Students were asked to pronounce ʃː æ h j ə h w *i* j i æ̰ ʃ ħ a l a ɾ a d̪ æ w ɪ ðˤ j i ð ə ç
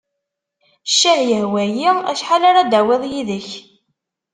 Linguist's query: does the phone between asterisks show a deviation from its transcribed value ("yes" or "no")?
yes